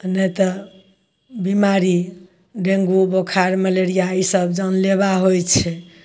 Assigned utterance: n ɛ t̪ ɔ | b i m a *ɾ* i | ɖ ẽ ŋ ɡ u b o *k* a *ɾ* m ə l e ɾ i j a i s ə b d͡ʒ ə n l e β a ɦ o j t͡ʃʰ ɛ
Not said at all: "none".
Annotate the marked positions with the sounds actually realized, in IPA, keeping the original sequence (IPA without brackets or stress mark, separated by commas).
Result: ɾ, kʰ, ɾ